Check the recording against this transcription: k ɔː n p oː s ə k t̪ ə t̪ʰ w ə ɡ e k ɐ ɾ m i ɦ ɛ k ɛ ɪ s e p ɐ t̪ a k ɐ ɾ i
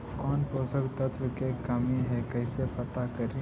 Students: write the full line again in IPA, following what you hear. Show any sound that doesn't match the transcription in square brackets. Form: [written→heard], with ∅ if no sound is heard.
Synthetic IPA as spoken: k ɔː n p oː s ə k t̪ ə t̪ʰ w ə [ɡ→k] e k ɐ [ɾ→∅] m i ɦ ɛ k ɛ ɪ s e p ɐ t̪ a k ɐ ɾ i